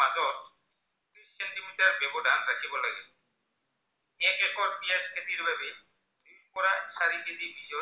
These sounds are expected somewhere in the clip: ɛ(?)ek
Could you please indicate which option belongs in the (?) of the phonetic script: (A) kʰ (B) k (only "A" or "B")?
B